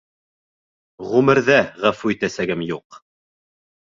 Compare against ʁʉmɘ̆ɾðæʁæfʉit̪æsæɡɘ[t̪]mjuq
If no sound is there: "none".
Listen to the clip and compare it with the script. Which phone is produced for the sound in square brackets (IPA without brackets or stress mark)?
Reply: none